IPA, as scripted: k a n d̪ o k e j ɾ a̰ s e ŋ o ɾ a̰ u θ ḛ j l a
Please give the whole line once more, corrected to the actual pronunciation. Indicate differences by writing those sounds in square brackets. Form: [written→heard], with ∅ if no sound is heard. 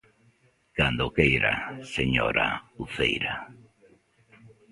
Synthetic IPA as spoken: k a n d̪ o k e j ɾ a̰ s e [ŋ→ɲ] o ɾ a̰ u θ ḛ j [l→ɾ] a